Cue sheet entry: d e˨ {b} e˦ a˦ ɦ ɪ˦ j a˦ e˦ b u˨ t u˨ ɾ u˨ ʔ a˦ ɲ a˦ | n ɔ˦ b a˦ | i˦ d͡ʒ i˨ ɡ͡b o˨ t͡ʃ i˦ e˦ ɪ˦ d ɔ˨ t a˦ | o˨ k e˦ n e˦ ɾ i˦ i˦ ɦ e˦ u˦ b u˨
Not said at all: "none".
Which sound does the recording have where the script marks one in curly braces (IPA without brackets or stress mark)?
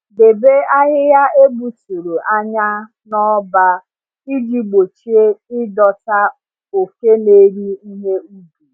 b